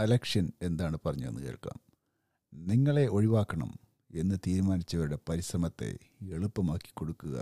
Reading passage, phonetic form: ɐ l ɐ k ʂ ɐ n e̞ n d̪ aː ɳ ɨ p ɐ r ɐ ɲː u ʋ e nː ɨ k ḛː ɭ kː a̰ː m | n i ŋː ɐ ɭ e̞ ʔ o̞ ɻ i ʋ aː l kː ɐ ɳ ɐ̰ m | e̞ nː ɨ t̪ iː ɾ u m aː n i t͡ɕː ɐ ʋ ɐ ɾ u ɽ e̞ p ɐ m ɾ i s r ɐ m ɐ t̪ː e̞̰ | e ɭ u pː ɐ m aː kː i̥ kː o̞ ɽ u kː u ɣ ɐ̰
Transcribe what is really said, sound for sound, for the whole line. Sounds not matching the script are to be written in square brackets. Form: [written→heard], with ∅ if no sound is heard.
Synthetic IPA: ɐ l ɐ k ʂ ɐ n e̞ n d̪ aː ɳ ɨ p ɐ r ɐ ɲː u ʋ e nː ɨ k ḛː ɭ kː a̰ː m | n i ŋː ɐ ɭ e̞ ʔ o̞ ɻ i ʋ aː [l→∅] kː ɐ ɳ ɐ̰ m | e̞ nː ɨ t̪ iː ɾ u m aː n i t͡ɕː ɐ ʋ ɐ ɾ u ɽ e̞ p ɐ [m→∅] ɾ i s r ɐ m ɐ t̪ː e̞̰ | e ɭ u pː ɐ m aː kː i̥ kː o̞ ɽ u kː u ɣ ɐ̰